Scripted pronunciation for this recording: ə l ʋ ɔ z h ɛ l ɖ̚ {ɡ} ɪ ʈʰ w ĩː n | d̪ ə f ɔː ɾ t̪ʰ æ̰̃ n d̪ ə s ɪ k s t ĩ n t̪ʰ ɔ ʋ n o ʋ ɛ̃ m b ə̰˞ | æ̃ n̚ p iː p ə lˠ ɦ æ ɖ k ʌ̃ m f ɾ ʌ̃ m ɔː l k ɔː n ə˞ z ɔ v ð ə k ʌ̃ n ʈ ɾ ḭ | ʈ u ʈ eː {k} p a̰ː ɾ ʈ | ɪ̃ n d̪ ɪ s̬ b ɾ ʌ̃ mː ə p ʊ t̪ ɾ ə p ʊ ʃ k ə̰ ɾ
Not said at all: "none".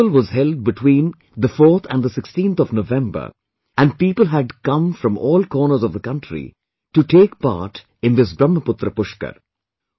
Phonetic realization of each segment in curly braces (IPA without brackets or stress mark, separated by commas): b, k